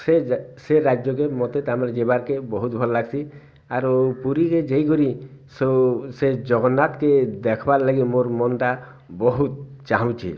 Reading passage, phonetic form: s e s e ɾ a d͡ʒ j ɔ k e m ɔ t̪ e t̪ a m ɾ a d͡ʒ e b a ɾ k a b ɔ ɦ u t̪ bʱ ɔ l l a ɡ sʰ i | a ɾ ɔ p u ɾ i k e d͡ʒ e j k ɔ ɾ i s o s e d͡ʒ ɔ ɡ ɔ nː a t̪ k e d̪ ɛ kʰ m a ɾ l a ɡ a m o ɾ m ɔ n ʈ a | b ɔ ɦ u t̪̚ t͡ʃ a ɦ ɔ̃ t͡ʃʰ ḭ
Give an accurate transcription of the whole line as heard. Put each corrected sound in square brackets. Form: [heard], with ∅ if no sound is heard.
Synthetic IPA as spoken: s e s e ɾ a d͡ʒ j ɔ k e m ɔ t̪ e t̪ a m ɾ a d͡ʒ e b a ɾ k [e] b ɔ ɦ u t̪ bʱ ɔ l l a ɡ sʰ i | a ɾ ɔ p u ɾ i k e d͡ʒ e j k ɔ ɾ i s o s e d͡ʒ ɔ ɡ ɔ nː a t̪ k e d̪ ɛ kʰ [b] a ɾ l a ɡ [i] m o ɾ m ɔ n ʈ a | b ɔ ɦ u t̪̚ t͡ʃ a ɦ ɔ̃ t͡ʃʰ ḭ